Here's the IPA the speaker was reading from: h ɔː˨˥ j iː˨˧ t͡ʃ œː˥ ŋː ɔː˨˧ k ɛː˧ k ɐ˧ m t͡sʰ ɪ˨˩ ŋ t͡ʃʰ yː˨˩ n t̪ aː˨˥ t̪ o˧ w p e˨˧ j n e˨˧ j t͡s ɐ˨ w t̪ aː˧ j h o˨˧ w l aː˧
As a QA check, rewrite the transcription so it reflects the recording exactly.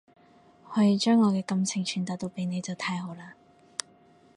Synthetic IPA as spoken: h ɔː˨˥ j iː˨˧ t͡ʃ œː˥ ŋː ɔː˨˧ k ɛː˧ k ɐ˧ m t͡sʰ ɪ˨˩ ŋ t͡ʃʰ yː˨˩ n t̪ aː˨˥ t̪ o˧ w p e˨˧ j n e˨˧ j t͡s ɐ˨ w t̪ʰ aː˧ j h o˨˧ w l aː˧